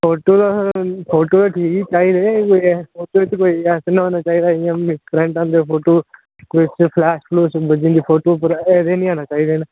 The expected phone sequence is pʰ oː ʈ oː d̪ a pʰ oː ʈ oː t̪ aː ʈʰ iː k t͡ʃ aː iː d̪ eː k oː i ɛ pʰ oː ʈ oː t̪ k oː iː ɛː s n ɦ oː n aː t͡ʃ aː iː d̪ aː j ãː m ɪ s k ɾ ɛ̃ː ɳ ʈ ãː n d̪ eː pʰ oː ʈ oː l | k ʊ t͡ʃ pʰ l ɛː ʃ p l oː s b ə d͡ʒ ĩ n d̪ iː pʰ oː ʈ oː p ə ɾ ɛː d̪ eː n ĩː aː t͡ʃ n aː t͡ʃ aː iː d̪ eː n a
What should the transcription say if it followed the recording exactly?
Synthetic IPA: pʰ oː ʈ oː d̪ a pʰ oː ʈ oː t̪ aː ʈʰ iː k t͡ʃ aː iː d̪ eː k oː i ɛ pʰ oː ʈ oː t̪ k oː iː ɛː s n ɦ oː n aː t͡ʃ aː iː d̪ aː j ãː m ɪ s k ɾ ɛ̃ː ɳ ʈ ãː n d̪ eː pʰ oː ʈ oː | k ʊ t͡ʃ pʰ l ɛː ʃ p l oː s b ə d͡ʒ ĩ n d̪ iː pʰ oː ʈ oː p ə ɾ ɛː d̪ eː n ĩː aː n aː t͡ʃ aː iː d̪ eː n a